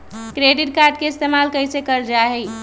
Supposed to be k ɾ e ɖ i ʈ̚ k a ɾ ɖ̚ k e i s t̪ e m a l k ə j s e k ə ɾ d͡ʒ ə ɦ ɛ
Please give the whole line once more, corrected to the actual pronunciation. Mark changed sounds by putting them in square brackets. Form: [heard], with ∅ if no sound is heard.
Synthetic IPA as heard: k ɾ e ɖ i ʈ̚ k a ɾ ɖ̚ k e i s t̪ e m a l k ə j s e k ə ɾ d͡ʒ [a] ɦ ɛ

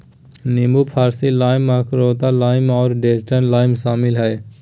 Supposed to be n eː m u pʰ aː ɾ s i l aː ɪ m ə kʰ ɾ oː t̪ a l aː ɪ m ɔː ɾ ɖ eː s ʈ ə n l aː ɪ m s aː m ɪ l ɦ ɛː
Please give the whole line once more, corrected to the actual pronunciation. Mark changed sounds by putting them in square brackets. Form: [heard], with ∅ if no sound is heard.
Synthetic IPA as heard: n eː m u pʰ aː ɾ s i l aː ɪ m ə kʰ ɾ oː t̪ a l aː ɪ m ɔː ɾ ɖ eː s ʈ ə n l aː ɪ m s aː m ɪ l ɦ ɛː

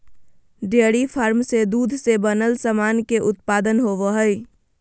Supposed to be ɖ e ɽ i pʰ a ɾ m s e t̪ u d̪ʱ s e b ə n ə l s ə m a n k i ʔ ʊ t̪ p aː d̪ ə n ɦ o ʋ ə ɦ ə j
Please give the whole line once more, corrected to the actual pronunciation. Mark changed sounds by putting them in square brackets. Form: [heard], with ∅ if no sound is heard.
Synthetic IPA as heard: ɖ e ɽ i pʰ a ɾ m s e [d̪] u d̪ʱ s e b ə n ə l s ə m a n k [e] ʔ ʊ t̪ p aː d̪ ə n ɦ o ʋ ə ɦ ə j

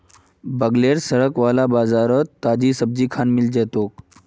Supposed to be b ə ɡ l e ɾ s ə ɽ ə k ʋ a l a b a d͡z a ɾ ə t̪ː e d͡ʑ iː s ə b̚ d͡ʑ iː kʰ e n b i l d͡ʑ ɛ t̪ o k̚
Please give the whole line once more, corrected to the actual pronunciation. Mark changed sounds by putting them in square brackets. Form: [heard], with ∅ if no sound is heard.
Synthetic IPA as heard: b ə ɡ l e ɾ s ə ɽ ə k ʋ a l a b a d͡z a ɾ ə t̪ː [a] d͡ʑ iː s ə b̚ d͡ʑ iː kʰ [a] n [m] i l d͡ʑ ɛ t̪ o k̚

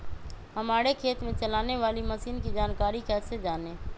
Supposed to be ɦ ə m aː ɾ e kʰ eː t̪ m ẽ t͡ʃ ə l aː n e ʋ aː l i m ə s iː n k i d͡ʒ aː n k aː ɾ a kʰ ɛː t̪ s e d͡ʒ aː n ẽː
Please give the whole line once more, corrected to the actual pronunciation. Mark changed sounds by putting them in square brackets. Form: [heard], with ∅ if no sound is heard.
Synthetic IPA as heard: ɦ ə m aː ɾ e kʰ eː t̪ m ẽ t͡ʃ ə l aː n e ʋ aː l i m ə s iː n k i d͡ʒ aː n k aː ɾ [i] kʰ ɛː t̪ s e d͡ʒ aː n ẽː

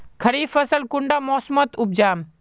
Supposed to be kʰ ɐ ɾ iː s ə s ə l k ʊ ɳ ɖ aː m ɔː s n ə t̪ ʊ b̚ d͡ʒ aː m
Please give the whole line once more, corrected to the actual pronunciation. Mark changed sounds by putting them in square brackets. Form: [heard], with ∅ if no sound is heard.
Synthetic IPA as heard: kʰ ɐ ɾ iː [f] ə s ə l k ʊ ɳ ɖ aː m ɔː s [m] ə t̪ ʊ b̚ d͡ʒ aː m

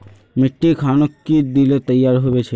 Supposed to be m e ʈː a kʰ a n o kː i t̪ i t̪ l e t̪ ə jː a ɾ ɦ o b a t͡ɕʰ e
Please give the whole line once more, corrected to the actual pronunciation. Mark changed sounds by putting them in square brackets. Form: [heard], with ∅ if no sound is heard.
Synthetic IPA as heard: m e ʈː [i] kʰ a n o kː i [d̪] i [∅] l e t̪ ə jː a ɾ ɦ o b [e] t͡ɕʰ e

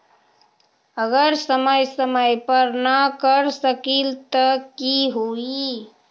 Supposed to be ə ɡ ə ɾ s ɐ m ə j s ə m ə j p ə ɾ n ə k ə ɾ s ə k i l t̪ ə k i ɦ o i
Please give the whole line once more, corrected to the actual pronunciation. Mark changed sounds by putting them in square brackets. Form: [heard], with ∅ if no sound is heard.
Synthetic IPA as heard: ə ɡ ə ɾ s [ə] m ə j s ə m ə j p ə ɾ n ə k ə ɾ s ə k i l t̪ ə k i ɦ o i

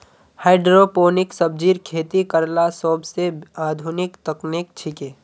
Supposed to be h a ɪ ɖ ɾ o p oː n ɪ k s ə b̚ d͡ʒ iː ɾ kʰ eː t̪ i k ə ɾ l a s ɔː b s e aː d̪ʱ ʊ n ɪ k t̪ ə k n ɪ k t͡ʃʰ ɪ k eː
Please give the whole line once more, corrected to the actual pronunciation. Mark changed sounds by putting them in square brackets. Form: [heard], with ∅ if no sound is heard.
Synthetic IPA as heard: h a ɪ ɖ ɾ o p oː n ɪ k s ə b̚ d͡ʒ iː ɾ kʰ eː t̪ i k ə ɾ l a s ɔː b s e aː d̪ʱ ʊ n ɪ k t̪ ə k n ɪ k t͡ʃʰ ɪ k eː

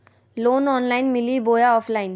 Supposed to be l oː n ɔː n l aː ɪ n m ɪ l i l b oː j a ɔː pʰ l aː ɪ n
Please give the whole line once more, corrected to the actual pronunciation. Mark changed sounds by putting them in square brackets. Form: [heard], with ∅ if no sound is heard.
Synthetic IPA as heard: l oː n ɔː n l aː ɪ n m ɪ l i [∅] b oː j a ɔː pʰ l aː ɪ n

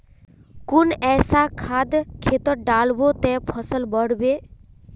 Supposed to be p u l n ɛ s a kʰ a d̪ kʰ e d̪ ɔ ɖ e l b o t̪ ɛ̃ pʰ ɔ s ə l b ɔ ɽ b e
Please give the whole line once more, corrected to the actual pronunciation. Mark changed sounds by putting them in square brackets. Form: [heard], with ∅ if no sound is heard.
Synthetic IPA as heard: [k] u [∅] n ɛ s a kʰ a d̪ kʰ e [t̪] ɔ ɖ [a] l b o t̪ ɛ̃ pʰ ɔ s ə l b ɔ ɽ b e

